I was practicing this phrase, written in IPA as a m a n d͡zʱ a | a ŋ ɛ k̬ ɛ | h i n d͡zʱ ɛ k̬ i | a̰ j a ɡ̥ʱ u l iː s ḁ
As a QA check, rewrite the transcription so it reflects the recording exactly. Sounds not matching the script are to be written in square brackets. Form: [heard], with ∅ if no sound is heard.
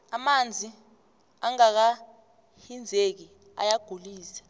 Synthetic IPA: a m a n d͡zʱ [i] | a ŋ [a] k̬ [a] | h i n d͡zʱ [e] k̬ i | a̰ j a ɡ̥ʱ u l iː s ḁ